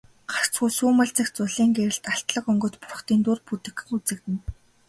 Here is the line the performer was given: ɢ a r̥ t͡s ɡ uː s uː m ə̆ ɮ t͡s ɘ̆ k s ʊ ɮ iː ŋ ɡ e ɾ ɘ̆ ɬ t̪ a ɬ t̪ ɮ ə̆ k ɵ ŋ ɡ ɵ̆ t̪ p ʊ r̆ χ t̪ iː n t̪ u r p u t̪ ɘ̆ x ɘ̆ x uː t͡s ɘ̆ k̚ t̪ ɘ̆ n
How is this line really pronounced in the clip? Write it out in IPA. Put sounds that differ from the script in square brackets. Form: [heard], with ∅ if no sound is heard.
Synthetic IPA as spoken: ɢ a r̥ t͡s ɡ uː s uː m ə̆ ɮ t͡s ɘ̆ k [t͡s] ʊ ɮ iː ŋ ɡ e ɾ ɘ̆ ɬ t̪ a ɬ t̪ ɮ ə̆ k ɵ ŋ ɡ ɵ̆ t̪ p ʊ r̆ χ t̪ iː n t̪ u r p u t̪ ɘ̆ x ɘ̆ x [u] t͡s ɘ̆ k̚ t̪ ɘ̆ n